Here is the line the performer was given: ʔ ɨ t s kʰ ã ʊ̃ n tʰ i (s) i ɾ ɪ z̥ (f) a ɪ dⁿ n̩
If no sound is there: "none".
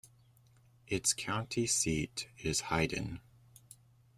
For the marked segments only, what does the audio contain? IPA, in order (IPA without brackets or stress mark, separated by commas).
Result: s, h